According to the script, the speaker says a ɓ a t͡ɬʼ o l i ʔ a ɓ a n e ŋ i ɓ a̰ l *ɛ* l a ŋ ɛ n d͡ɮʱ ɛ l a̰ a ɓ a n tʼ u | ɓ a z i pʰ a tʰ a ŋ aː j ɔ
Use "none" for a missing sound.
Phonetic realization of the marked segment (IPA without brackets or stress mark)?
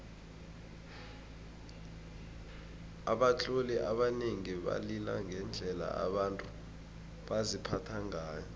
i